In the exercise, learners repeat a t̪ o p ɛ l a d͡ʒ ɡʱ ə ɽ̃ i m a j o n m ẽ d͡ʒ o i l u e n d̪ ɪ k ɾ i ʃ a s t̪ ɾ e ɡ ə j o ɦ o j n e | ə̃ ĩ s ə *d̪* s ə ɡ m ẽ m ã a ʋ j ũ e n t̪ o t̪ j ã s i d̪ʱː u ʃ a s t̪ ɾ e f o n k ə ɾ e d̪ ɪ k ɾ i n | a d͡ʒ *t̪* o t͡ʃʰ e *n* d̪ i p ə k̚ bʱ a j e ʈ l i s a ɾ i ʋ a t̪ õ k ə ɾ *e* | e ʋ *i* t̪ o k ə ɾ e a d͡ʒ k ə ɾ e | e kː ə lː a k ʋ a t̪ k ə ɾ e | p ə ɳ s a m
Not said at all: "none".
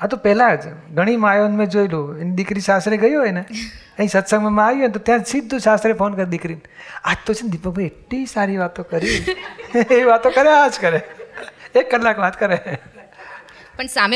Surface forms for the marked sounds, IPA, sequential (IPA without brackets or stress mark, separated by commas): t̪, t̪, n, i, a